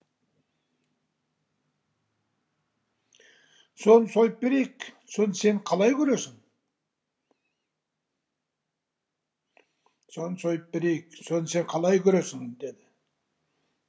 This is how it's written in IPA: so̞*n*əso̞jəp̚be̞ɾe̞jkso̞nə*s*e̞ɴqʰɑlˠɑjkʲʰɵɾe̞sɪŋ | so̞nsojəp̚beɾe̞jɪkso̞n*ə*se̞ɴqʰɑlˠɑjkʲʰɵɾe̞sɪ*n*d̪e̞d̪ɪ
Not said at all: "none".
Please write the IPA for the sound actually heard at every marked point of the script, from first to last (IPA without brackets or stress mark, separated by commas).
n, s, ə, ŋ